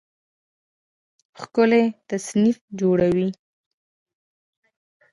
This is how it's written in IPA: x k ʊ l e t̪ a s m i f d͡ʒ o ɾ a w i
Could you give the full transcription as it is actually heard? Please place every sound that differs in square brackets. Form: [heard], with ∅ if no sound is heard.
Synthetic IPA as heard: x k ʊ l e t̪ a s [n] i f d͡ʒ o [ɽ] a w i